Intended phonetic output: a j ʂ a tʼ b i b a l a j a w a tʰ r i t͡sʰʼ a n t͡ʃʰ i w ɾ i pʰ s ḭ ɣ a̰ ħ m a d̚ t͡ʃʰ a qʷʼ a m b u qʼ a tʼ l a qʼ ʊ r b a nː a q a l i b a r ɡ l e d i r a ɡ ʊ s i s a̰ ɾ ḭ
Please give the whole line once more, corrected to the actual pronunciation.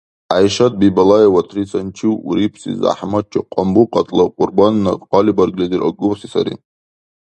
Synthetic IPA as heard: a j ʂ a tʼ b i b a l a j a w a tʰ r i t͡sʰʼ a n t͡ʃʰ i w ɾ i pʰ s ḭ z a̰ ħ m a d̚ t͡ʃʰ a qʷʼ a m b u qʼ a tʼ l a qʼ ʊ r b a nː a q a l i b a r ɡ l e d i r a ɡ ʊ s i s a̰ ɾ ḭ